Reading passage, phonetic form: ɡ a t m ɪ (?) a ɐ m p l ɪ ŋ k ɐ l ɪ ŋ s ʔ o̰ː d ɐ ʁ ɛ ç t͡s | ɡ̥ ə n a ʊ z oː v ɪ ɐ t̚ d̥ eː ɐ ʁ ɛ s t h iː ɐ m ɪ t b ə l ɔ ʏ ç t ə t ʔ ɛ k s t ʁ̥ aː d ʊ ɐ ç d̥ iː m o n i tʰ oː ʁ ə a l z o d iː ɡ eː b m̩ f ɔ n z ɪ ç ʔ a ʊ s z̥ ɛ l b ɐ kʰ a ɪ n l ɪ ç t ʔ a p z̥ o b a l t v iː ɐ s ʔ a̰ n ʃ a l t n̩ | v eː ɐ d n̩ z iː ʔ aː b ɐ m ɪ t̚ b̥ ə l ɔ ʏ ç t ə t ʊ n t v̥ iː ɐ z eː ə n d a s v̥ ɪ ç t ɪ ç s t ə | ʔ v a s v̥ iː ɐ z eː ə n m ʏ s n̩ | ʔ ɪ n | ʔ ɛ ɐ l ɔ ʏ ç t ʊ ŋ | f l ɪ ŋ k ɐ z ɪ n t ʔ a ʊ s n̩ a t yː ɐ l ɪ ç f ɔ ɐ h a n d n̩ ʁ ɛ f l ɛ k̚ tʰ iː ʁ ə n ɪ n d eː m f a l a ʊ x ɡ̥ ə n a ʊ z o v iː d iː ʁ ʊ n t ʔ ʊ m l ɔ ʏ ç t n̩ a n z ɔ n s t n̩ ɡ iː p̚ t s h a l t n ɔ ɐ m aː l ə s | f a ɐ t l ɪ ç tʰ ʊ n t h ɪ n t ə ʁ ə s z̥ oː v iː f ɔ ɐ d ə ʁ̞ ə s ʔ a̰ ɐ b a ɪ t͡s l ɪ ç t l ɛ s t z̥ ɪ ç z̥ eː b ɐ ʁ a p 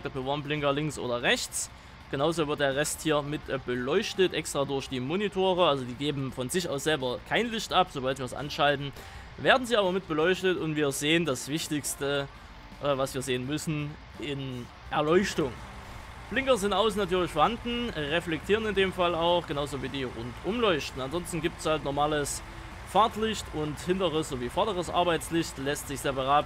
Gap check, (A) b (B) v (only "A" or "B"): B